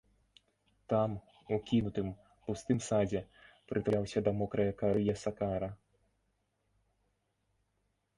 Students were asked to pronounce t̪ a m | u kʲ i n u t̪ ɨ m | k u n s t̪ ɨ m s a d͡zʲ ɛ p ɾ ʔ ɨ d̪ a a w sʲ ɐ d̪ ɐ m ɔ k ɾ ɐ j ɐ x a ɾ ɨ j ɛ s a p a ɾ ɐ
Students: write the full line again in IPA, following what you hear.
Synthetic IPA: t̪ a m | u kʲ i n u t̪ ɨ m | p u s t̪ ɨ m s a d͡zʲ ɛ p ɾ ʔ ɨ t̪ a a w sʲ ɐ d̪ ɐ m ɔ k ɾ ɐ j ɐ k a ɾ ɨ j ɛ s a k a ɾ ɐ